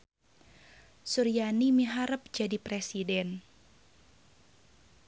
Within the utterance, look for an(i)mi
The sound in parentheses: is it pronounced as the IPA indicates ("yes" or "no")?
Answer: yes